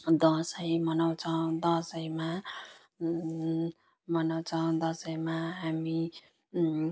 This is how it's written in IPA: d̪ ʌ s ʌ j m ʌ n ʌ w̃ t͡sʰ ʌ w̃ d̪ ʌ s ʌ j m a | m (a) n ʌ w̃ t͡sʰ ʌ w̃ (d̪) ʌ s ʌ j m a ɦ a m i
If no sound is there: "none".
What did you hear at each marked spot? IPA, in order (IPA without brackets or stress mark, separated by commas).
ʌ, d̪